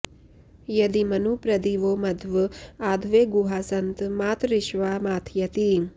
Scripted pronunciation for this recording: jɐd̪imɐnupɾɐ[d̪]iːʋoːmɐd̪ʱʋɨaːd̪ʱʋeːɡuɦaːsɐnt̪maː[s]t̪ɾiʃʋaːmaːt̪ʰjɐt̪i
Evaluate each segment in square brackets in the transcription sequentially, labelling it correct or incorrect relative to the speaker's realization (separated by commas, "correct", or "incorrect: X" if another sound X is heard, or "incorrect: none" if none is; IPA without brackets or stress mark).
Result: correct, incorrect: none